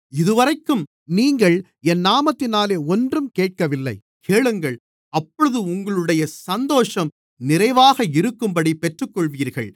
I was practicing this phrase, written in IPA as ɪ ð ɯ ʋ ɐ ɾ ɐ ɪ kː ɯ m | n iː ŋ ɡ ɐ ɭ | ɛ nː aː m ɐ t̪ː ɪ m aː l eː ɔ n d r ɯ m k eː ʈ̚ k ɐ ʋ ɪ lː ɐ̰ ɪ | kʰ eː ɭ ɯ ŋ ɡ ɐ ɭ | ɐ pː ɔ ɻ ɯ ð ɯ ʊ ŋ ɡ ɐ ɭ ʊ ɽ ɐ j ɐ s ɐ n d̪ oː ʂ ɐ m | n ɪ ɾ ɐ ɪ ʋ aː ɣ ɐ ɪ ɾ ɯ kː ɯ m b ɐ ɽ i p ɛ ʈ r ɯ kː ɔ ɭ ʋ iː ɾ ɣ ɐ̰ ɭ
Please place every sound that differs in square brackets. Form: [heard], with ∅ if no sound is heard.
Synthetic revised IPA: ɪ ð ɯ ʋ ɐ ɾ ɐ ɪ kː ɯ m | n iː ŋ ɡ ɐ ɭ | ɛ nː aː m ɐ t̪ː ɪ [n] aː l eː ɔ n d r ɯ m k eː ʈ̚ k ɐ ʋ ɪ lː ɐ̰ ɪ | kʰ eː ɭ ɯ ŋ ɡ ɐ ɭ | ɐ pː ɔ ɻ ɯ ð ɯ ʊ ŋ ɡ ɐ ɭ [ɯ] ɽ ɐ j ɐ s ɐ n d̪ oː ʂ ɐ m | n ɪ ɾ ɐ ɪ ʋ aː ɣ ɐ ɪ ɾ ɯ kː ɯ m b ɐ ɽ i p ɛ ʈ r ɯ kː ɔ ɭ ʋ iː ɾ ɣ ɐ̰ ɭ